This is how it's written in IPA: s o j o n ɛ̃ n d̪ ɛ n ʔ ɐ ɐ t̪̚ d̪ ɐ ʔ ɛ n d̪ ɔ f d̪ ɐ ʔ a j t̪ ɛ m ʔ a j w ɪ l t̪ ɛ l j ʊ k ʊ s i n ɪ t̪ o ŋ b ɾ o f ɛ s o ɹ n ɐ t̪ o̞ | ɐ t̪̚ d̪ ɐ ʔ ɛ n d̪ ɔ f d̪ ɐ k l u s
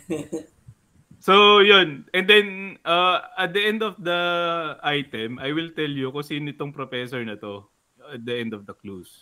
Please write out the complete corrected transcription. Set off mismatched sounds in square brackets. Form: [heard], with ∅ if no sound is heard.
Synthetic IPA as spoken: s o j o n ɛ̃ n d̪ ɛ n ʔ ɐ ɐ t̪̚ d̪ ɐ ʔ ɛ n d̪ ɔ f d̪ ɐ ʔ a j t̪ ɛ m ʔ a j w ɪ l t̪ ɛ l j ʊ k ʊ s i n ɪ t̪ o ŋ [p] ɾ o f ɛ s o ɹ n ɐ t̪ o̞ | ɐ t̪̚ d̪ ɐ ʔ ɛ n d̪ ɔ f d̪ ɐ k l u s